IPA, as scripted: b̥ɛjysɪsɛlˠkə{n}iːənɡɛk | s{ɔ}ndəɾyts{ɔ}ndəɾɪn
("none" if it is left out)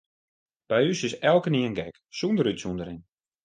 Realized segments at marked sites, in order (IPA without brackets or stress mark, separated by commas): n, u, u